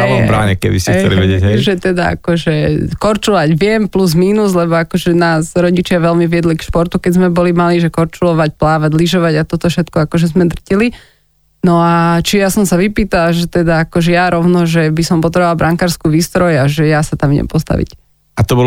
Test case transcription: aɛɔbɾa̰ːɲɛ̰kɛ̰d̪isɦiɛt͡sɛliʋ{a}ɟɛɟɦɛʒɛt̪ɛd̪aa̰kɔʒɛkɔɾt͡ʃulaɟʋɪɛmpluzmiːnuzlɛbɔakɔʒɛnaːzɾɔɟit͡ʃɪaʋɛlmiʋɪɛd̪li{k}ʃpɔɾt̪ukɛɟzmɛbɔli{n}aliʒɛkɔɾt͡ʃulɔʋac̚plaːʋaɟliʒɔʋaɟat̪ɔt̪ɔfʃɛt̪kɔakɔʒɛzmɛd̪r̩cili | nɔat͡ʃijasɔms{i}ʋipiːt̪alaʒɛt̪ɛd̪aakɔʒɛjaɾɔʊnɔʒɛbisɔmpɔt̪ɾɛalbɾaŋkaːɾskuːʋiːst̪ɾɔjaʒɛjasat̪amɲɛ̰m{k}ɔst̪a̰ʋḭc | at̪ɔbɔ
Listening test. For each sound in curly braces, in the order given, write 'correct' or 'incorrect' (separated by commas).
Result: incorrect, correct, incorrect, incorrect, incorrect